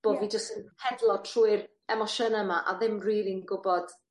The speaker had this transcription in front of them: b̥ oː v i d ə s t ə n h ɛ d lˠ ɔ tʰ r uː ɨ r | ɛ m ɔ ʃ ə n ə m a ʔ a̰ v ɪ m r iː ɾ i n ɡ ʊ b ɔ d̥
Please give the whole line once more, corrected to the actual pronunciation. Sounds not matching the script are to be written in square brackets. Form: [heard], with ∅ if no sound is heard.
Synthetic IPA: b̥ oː v i [d͡ʒ] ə s t ə n h ɛ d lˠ ɔ tʰ r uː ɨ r | ɛ m ɔ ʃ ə n ə m a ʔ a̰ [ð] ɪ m r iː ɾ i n ɡ ʊ b ɔ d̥